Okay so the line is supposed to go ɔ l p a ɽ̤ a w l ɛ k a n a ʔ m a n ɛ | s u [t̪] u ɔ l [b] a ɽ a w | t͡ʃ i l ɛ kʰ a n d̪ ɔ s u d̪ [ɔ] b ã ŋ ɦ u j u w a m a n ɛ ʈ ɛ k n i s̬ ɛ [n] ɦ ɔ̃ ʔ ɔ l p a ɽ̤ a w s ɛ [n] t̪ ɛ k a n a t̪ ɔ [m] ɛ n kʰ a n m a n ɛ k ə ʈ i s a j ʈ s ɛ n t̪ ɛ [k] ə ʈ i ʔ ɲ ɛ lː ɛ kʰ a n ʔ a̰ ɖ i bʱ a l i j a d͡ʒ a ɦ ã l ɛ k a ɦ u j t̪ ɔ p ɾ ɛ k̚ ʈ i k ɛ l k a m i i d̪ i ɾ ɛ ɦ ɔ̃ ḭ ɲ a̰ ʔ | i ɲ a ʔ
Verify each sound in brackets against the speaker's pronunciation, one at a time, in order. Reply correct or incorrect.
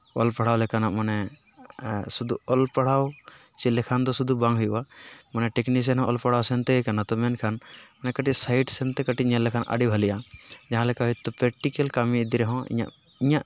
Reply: incorrect, incorrect, incorrect, correct, correct, correct, correct

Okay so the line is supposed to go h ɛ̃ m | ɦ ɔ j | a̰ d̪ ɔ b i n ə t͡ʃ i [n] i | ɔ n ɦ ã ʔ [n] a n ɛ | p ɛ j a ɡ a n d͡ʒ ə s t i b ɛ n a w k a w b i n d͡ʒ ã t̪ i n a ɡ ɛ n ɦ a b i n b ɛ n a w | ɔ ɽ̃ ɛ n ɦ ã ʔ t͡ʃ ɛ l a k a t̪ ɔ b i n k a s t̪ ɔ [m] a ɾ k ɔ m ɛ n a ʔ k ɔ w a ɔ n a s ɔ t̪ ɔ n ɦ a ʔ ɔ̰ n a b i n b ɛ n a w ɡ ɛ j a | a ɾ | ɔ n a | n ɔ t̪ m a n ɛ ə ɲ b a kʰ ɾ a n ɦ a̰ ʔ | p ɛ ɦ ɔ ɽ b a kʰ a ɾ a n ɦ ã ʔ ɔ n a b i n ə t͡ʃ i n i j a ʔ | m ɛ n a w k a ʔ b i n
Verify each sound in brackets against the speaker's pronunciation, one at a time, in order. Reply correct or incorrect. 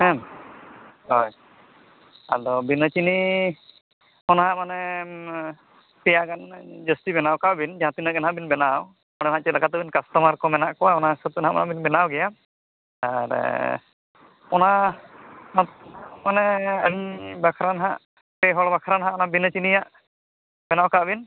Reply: correct, incorrect, correct

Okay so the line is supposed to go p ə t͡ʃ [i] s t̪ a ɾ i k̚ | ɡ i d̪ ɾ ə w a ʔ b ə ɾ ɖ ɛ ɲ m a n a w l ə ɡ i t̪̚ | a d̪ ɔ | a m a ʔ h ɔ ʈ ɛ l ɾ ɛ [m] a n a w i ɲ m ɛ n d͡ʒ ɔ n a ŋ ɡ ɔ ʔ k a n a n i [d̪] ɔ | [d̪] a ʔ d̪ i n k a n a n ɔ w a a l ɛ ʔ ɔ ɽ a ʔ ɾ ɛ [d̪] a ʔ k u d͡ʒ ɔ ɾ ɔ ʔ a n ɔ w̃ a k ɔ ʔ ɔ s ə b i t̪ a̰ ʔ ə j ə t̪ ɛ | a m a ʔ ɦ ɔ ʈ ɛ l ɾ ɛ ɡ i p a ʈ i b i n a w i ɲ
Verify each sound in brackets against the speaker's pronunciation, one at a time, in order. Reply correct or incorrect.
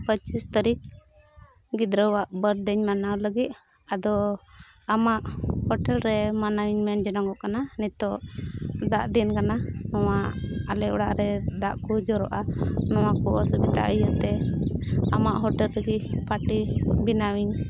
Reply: correct, correct, incorrect, correct, correct

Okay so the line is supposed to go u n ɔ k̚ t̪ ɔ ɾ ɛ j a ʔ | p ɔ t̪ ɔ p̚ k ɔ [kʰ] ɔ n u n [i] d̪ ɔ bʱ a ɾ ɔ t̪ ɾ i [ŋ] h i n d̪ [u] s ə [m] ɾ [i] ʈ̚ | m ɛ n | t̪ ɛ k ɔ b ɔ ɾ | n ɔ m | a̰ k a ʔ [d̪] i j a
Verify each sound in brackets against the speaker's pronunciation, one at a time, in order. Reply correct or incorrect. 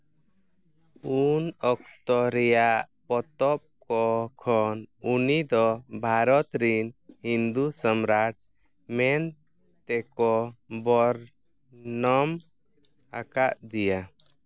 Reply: correct, correct, incorrect, correct, correct, incorrect, correct

